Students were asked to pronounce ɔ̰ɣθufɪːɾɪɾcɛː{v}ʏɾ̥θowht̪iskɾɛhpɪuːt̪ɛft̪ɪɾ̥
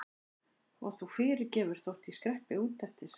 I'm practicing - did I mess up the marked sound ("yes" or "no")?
no